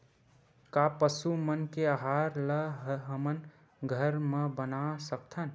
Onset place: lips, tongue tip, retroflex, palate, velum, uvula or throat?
velum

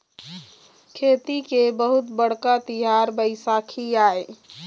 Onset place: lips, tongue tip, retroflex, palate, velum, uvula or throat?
velum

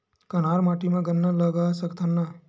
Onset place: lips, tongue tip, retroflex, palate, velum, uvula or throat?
velum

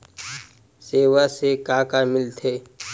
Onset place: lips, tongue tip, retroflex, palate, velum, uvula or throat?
tongue tip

